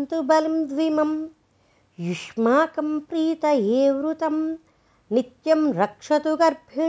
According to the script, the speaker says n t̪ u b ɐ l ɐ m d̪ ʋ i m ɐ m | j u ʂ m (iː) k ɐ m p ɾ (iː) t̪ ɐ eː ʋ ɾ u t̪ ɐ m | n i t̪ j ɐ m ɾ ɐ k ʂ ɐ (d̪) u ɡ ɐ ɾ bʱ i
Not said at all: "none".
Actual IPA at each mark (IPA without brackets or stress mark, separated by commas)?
aː, iː, t̪